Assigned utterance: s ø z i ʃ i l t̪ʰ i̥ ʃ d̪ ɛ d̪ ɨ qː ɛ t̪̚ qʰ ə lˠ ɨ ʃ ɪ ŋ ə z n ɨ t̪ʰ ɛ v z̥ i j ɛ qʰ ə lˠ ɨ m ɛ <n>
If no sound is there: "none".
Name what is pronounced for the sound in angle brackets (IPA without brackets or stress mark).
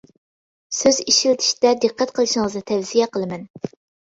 n